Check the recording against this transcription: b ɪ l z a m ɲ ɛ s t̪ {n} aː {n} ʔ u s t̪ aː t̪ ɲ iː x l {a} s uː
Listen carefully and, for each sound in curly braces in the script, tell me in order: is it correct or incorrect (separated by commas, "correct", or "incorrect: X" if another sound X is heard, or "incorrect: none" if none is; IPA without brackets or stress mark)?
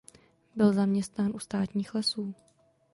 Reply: correct, correct, incorrect: ɛ